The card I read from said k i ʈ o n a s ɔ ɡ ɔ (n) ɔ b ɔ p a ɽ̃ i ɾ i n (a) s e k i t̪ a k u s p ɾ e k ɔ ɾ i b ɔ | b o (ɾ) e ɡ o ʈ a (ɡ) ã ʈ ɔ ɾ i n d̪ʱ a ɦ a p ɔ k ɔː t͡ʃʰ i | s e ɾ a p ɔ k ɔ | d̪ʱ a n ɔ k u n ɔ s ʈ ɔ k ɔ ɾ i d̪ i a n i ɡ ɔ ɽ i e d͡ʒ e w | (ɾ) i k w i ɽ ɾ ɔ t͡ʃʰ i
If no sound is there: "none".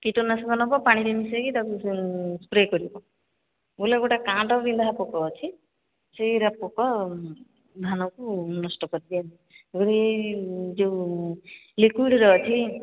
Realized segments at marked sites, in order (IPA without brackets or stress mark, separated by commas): n, i, l, k, l